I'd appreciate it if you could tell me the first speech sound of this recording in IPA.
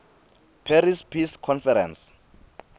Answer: pʰ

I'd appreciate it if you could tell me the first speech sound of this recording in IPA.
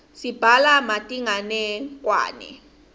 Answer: s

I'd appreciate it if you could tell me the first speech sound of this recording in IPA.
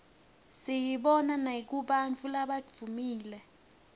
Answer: s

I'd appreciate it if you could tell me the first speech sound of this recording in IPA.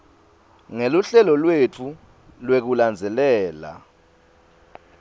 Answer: ŋ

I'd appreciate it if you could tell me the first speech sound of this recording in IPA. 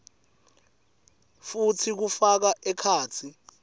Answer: f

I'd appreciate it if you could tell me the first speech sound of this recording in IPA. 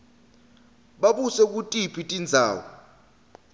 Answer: ɓ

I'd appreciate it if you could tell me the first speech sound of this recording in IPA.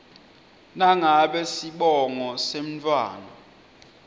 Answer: n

